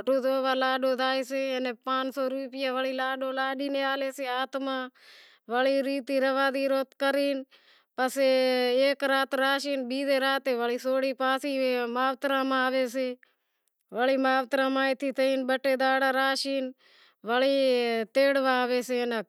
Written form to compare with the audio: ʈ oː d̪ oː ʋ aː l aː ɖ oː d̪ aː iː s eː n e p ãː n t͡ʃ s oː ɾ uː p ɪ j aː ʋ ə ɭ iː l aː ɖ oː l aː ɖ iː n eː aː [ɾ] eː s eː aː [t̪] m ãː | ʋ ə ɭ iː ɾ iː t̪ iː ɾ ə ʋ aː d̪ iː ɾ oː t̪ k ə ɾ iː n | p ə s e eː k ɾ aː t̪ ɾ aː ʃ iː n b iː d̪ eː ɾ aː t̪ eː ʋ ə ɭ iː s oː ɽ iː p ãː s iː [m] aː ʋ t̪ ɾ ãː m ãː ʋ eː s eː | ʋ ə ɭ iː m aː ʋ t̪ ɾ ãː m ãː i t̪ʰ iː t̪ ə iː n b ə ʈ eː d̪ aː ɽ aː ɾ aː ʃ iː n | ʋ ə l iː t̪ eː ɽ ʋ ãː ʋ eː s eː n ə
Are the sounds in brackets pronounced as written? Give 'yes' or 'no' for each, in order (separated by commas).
no, yes, yes